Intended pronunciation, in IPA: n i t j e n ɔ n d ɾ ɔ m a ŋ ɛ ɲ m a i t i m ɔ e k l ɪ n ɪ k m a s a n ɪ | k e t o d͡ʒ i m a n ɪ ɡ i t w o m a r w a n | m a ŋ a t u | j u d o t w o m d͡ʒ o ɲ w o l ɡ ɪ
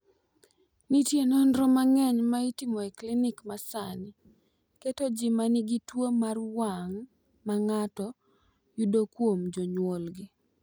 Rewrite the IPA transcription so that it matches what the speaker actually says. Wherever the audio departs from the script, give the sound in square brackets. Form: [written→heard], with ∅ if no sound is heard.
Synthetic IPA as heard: n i t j e n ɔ n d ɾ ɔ m a ŋ ɛ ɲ m a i t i m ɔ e k l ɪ n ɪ k m a s a n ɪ | k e t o d͡ʒ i m a n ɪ ɡ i t w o m a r w a [n→ŋ] | m a ŋ a t [u→ɔ] | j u d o [t→k] w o m d͡ʒ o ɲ w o l ɡ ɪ